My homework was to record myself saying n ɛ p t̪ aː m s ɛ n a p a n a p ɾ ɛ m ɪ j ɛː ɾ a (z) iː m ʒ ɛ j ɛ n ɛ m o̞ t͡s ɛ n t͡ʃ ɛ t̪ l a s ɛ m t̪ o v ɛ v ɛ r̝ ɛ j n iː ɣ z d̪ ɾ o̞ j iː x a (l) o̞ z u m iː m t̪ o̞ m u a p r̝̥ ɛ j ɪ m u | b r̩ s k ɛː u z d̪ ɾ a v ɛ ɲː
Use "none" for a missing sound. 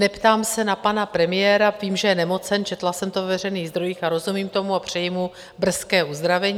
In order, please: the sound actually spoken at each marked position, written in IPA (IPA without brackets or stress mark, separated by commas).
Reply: v, ɾ